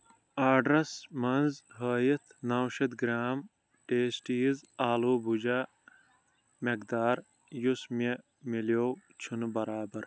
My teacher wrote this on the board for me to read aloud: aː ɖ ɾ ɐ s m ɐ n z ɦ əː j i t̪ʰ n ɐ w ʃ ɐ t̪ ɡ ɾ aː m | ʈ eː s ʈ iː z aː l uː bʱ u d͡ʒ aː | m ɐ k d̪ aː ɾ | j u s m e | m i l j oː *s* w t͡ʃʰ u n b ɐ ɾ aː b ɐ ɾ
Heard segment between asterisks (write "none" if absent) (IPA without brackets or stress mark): none